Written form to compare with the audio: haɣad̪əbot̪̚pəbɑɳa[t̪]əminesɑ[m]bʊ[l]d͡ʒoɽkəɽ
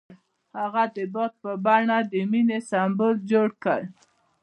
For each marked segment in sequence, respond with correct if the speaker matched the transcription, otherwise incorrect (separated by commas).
incorrect, correct, correct